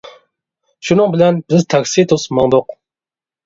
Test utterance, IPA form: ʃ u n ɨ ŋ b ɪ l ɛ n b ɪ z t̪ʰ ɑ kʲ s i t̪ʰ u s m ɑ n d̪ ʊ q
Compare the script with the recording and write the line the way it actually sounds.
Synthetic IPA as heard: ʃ u n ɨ ŋ b ɪ l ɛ n b ɪ z t̪ʰ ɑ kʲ s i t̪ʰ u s m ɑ ŋ d̪ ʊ q

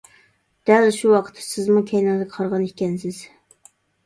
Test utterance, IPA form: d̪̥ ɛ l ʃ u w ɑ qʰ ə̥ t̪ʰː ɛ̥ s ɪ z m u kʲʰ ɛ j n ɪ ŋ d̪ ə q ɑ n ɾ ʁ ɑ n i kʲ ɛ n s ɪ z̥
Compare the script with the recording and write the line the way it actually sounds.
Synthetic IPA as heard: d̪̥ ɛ l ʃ u w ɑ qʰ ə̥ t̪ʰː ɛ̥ s ɪ z m u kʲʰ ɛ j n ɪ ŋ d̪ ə qʰ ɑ ɾ ʁ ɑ n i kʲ ɛ n s ɪ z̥

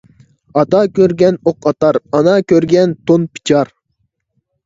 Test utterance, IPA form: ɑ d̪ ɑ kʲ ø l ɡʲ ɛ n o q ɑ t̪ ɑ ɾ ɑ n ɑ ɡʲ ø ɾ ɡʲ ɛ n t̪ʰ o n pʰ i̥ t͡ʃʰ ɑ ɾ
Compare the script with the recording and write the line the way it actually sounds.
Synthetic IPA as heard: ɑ t̪ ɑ kʲ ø ɾ ɡʲ ɛ n o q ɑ t̪ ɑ ɾ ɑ n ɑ kʲ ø ɾ ɡʲ ɛ n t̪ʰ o n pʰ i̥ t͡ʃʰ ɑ ɾ

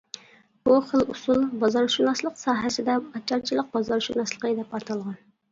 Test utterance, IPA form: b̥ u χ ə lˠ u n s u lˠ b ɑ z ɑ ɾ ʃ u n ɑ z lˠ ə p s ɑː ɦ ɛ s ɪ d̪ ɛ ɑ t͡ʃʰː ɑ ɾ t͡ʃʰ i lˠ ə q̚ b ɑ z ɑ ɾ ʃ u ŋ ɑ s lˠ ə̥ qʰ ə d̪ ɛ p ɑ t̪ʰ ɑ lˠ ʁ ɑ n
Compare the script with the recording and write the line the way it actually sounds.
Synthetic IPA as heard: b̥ u χ ə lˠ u s u lˠ b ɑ z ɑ ɾ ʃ u n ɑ s lˠ ə q s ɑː ɦ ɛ s ɪ d̪ ɛ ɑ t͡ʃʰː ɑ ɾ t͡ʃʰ i lˠ ə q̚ b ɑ z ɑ ɾ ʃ u n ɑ s lˠ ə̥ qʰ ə d̪ ɛ p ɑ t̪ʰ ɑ lˠ ʁ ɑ n

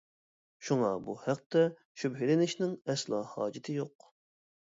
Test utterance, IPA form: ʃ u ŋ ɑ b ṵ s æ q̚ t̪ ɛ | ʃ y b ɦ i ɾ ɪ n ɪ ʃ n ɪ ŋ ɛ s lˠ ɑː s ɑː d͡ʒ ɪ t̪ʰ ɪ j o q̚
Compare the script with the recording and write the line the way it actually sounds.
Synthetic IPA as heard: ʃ u ŋ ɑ b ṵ h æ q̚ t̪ ɛ | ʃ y b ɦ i l ɪ n ɪ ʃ n ɪ ŋ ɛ s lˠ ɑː h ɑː d͡ʒ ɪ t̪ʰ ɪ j o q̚

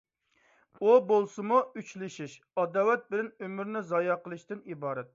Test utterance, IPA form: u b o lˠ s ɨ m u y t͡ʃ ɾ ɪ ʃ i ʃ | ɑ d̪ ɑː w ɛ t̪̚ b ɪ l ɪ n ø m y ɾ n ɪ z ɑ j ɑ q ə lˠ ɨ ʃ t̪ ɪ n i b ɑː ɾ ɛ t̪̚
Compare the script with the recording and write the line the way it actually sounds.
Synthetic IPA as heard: u b o lˠ s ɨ m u y t͡ʃ l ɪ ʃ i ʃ | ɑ d̪ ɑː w ɛ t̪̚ b ɪ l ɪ n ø m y ɾ n ɪ z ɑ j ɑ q ə lˠ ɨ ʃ t̪ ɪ n i b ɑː ɾ ɛ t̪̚

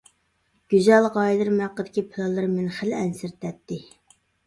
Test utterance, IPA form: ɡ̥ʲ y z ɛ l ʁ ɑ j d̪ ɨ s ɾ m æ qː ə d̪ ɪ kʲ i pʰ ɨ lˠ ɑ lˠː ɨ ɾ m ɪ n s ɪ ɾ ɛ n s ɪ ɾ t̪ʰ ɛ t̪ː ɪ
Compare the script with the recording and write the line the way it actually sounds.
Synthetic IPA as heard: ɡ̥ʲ y z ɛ l ʁ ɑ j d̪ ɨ ɾ m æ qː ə d̪ ɪ kʲ i pʰ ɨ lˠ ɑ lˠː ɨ ɾ m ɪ n χ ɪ l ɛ n s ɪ ɾ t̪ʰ ɛ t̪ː ɪ

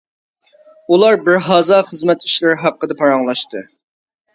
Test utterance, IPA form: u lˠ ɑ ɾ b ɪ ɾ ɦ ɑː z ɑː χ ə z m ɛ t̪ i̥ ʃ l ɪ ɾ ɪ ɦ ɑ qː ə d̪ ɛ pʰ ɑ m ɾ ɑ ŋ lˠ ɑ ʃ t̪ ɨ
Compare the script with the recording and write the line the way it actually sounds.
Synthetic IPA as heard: u lˠ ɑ ɾ b ɪ ɾ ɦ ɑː z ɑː χ ə z m ɛ t̪ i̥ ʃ l ɪ ɾ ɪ ɦ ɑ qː ə d̪ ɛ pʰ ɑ ɾ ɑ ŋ lˠ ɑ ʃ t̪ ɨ

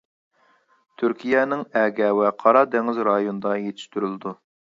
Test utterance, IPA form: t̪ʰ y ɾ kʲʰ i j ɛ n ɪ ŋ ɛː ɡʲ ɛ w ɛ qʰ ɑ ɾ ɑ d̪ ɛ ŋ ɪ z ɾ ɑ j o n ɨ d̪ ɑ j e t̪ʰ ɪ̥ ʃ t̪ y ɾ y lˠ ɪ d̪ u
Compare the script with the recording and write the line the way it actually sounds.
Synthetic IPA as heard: t̪ʰ y ɾ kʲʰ i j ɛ n ɪ ŋ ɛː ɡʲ ɛ w ɛ qʰ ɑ ɾ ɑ d̪ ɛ ŋ ɪ z ɾ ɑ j o n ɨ d̪ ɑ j e t̪ʰ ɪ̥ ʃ t̪ y ɾ y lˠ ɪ d̪ u

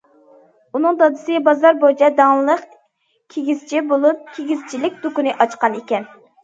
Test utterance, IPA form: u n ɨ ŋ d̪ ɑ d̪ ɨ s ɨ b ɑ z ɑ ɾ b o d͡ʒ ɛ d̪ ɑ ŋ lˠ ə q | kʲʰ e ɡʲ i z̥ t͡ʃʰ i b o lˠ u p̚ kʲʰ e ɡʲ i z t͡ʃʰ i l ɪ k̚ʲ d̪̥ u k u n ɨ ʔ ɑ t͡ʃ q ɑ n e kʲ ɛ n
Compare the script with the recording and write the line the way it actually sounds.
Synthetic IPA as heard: u n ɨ ŋ d̪ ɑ d̪ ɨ s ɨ b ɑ z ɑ ɾ b o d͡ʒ ɛ d̪ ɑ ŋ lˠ ə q | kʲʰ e ɡʲ i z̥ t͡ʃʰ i b o lˠ u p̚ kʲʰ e ɡʲ i z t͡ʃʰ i l ɪ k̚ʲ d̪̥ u k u n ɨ ʔ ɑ t͡ʃ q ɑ n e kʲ ɛ n

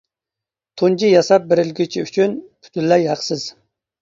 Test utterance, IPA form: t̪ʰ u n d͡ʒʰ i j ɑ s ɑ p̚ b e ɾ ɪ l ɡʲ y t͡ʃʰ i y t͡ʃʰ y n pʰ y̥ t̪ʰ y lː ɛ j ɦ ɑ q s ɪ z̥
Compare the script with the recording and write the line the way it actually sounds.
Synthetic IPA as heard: t̪ʰ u n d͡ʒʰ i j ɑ s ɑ p̚ b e ɾ ɪ l ɡʲ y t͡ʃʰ i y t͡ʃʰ y n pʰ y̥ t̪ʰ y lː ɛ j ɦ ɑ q s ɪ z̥

